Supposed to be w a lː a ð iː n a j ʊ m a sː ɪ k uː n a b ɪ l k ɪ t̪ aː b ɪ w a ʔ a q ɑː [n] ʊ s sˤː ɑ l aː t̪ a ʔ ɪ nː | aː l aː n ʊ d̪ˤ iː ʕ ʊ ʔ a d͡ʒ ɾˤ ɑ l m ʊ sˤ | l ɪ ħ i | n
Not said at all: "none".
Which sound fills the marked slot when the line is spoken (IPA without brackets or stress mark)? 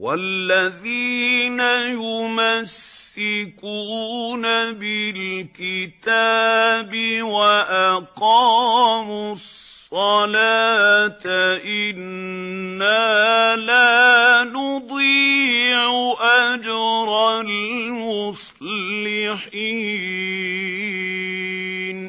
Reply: m